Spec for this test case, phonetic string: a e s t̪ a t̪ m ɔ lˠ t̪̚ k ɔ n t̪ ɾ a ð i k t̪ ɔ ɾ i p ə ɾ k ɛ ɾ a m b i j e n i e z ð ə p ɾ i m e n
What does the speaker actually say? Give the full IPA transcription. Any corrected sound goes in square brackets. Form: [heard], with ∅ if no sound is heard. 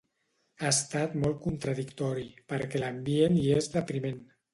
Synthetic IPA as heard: a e s t̪ a t̪ m ɔ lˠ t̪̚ k [u] n t̪ ɾ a ð i k t̪ ɔ ɾ i p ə ɾ k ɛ [l] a m b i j e n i e z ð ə p ɾ i m e n